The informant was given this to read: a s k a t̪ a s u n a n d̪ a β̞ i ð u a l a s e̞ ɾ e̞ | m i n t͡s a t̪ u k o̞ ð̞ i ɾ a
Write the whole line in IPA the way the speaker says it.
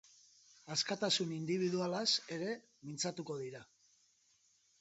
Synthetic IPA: a s k a t̪ a s u n i n d̪ i β̞ i ð u a l a s e̞ ɾ e̞ | m i n t͡s a t̪ u k o̞ ð̞ i ɾ a